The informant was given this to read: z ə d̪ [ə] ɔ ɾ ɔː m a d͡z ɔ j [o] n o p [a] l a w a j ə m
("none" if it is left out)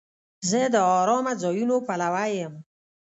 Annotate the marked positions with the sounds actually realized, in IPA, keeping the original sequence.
ə, u, a

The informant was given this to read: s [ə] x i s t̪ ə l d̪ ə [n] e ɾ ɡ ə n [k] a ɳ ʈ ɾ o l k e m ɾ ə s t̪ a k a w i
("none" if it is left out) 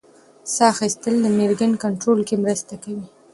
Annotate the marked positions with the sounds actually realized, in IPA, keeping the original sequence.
ɑ, m, k

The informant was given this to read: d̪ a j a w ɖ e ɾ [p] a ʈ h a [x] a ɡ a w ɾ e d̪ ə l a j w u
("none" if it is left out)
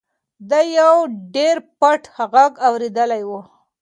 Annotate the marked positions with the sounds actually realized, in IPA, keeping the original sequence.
p, ɣ

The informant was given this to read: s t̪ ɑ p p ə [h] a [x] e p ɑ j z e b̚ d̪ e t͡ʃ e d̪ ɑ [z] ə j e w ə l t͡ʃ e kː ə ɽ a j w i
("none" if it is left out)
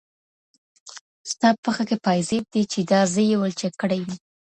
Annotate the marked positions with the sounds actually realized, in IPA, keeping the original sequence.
x, k, z

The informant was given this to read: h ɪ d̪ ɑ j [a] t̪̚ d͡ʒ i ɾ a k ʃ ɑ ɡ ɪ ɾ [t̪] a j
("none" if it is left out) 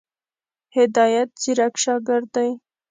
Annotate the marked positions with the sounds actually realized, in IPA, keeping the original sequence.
a, d̪

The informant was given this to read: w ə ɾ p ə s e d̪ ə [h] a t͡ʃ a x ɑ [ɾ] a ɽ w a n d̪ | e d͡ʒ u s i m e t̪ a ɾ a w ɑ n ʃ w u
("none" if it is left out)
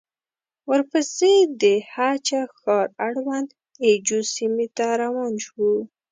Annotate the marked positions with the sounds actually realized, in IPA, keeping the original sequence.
h, ɾ

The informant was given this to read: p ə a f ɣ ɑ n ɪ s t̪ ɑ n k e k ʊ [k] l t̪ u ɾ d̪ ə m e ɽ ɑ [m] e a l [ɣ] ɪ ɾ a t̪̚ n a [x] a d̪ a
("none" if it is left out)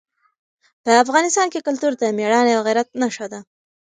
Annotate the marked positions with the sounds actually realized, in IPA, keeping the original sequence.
none, n, ɣ, ʃ

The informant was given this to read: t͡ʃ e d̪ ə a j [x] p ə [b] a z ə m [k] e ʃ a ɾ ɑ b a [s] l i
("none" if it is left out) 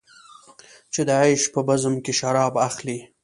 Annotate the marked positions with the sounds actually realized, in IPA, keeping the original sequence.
ʃ, b, k, x

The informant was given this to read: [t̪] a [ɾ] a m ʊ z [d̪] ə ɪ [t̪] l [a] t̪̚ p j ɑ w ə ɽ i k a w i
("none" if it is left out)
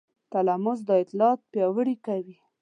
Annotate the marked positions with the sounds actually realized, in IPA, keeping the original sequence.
t̪, l, d̪, t̪, ɑ

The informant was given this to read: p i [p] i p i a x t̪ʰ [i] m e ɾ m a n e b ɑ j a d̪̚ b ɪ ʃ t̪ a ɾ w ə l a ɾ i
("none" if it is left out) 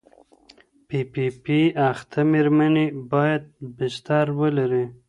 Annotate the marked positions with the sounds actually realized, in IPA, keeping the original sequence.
p, a

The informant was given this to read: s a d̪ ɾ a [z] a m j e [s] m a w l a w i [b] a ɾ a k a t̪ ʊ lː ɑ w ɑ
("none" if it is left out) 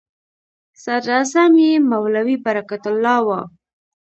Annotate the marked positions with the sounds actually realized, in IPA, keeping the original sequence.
z, none, b

